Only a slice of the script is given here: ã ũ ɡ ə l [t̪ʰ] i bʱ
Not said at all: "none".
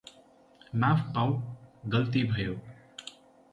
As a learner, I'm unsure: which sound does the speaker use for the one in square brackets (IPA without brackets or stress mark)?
t̪